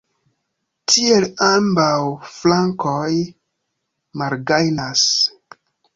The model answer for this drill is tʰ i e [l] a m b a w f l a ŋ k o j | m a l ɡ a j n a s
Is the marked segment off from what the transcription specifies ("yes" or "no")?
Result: no